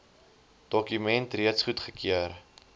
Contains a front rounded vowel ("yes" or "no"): yes